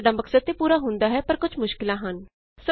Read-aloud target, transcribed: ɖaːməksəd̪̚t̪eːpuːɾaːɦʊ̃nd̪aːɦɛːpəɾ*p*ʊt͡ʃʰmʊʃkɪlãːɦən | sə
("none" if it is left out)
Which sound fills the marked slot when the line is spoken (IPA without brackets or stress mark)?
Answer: k